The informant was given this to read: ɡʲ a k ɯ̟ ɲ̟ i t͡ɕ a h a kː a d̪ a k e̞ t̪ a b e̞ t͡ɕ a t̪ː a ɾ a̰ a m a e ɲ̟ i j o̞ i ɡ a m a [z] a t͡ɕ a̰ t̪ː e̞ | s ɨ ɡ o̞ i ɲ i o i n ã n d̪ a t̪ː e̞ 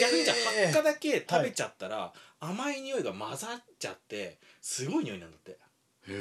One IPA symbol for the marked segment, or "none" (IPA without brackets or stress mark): z